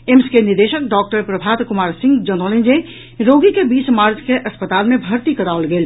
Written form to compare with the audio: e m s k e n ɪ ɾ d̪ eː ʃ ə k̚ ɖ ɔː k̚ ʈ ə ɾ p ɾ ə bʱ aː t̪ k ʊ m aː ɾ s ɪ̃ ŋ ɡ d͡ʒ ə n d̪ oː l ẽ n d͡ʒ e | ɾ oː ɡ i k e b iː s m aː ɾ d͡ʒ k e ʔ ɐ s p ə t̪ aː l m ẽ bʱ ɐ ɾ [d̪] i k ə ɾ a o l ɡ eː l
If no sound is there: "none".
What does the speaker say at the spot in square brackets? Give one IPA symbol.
t̪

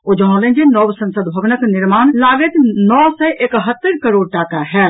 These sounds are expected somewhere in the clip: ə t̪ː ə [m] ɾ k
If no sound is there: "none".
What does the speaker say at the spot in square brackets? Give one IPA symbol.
none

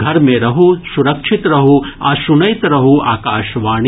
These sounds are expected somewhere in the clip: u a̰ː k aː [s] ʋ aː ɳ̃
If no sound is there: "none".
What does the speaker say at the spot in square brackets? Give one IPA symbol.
ʃ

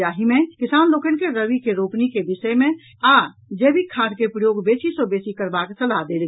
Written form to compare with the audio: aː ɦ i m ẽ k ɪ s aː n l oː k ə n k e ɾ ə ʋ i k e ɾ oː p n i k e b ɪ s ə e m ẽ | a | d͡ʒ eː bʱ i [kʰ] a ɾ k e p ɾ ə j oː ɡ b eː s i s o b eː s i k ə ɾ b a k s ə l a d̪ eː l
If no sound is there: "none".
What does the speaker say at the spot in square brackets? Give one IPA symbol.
kʰ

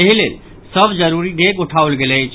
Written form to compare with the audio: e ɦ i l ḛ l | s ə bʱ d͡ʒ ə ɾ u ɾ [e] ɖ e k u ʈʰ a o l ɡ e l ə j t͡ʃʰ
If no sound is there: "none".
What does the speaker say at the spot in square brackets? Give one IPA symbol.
i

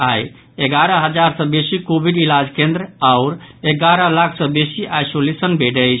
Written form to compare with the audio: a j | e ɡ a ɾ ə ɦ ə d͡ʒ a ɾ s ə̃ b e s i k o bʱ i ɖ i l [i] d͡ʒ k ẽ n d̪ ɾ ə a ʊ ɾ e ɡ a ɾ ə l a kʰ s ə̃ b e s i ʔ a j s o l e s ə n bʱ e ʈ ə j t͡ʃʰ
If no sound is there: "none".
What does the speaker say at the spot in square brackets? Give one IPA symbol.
a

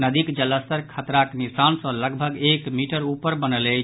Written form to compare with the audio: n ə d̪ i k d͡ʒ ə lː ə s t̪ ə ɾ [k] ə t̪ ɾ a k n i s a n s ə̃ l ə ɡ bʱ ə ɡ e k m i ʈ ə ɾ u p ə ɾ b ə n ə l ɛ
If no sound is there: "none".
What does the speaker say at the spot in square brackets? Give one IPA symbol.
kʰ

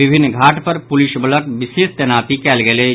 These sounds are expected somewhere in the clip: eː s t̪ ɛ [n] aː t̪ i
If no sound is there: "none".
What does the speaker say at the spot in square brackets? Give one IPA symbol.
n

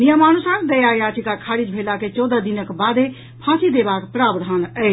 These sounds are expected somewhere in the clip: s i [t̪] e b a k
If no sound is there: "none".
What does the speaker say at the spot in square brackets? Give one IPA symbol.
d̪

